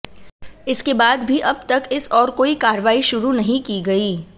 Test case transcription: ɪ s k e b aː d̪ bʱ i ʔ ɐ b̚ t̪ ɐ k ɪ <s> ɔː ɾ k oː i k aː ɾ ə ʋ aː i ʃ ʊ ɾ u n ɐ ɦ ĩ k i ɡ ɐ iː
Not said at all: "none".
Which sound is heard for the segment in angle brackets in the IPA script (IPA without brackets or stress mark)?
s